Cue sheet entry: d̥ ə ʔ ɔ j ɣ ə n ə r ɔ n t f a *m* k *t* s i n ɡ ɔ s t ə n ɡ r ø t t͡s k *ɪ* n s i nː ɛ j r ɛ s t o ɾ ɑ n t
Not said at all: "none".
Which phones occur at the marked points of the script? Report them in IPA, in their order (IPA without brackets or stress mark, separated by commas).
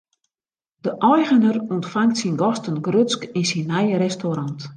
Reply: ŋ, t, i